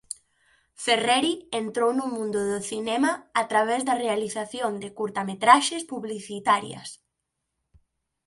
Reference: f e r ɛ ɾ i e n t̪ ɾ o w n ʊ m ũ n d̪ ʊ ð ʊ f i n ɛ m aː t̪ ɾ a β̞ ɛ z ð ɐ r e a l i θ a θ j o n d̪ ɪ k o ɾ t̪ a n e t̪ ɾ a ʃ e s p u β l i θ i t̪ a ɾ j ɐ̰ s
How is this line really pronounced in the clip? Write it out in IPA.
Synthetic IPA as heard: f e r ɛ ɾ i e n t̪ ɾ o w n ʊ m ũ n d̪ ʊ ð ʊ θ i n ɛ m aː t̪ ɾ a β̞ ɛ z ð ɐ r e a l i θ a θ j o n d̪ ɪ k u ɾ t̪ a m e t̪ ɾ a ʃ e s p u β l i θ i t̪ a ɾ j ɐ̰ s